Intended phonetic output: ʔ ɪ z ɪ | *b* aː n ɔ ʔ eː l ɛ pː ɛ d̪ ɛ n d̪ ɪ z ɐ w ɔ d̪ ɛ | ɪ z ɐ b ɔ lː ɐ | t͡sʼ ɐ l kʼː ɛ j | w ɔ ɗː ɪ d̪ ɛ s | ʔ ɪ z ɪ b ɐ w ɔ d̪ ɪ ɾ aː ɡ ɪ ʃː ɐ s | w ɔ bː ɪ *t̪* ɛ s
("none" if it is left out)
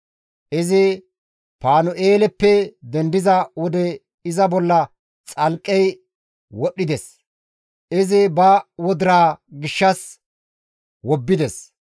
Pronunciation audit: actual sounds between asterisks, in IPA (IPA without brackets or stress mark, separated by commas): p, d̪